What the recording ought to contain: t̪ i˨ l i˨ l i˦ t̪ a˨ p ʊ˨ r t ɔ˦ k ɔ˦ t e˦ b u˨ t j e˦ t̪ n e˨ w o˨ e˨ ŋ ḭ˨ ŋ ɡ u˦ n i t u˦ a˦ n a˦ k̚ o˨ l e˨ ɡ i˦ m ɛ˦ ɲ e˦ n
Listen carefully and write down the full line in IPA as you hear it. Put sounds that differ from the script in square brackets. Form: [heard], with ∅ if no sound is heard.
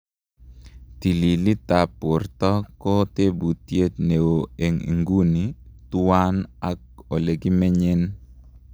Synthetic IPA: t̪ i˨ l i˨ l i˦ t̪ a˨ p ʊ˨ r t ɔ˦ k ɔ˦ t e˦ b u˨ t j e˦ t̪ n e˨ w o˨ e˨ ŋ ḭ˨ ŋ ɡ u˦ n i t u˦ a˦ n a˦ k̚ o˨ l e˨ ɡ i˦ m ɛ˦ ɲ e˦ n